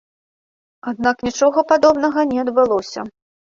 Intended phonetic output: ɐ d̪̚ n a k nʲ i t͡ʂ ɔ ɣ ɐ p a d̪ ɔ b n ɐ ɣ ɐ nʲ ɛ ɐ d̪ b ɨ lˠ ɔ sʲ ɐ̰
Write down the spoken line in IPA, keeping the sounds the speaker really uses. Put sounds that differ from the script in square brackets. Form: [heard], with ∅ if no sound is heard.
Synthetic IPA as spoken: [a] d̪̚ n a k nʲ i t͡ʂ ɔ ɣ ɐ p a d̪ ɔ b n ɐ ɣ ɐ nʲ ɛ ɐ d̪ b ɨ lˠ ɔ sʲ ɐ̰